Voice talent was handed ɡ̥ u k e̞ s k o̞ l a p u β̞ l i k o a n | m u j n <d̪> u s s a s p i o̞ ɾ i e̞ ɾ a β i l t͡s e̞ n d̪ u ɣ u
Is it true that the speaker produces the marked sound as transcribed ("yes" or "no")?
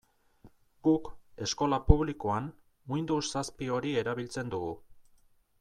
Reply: yes